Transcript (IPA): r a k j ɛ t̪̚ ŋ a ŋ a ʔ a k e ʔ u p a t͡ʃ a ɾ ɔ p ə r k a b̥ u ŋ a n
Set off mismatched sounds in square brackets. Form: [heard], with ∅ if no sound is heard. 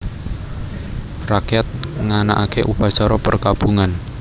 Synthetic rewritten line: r a k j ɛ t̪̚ ŋ a [n] a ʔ a k e ʔ u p a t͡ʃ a ɾ ɔ p ə r k a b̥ u ŋ a n